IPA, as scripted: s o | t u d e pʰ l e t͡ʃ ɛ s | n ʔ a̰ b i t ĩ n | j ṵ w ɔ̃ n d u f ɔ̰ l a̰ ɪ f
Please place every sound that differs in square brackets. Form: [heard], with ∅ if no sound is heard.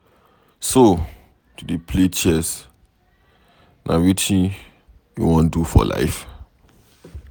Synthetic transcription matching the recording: s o | t u d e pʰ l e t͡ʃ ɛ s | n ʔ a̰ [w] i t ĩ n | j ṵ w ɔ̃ n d u f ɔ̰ l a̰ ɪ f